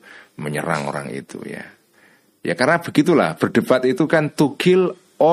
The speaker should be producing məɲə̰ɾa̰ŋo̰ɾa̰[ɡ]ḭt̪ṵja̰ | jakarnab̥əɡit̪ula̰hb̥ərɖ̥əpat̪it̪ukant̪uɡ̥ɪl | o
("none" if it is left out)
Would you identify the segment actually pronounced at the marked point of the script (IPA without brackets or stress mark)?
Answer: ŋ